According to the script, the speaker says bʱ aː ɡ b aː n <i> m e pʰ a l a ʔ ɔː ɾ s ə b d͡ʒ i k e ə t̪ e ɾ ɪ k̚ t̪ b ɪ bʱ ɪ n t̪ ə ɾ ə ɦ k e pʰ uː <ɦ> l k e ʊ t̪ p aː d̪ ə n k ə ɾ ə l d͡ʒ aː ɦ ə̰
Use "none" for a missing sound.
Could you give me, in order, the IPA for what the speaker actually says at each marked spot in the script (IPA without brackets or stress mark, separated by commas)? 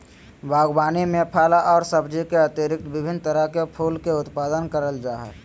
i, none